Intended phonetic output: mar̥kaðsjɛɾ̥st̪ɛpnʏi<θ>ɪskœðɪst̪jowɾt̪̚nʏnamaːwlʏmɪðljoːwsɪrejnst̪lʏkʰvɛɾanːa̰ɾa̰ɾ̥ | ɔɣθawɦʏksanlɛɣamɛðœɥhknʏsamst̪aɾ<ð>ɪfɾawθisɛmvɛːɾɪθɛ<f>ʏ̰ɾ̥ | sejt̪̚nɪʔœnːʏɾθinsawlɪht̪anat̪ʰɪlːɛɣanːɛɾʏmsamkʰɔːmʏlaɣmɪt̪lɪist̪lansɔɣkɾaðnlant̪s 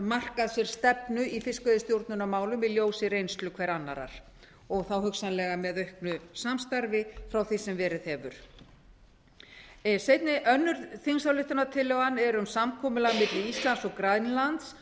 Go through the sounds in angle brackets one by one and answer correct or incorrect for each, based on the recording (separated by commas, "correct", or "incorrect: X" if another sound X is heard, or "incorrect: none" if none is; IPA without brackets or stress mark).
incorrect: f, incorrect: v, incorrect: v